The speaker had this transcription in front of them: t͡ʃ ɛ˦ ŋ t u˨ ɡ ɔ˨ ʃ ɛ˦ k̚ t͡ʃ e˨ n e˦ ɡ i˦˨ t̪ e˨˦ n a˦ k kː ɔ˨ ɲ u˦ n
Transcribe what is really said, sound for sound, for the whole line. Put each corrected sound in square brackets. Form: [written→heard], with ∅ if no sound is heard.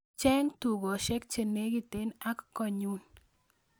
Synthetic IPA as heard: t͡ʃ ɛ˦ ŋ t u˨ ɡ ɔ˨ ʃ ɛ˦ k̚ t͡ʃ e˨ n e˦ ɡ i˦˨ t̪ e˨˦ n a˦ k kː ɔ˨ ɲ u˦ n